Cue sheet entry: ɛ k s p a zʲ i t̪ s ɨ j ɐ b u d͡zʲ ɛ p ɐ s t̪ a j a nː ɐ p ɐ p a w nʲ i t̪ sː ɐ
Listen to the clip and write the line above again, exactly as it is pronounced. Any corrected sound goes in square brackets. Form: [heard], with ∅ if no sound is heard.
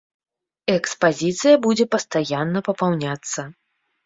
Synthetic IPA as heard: ɛ k s p a zʲ i t̪ s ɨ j ɐ b u d͡zʲ ɛ p ɐ s t̪ a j a nː ɐ p ɐ p a w nʲ [a] t̪ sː ɐ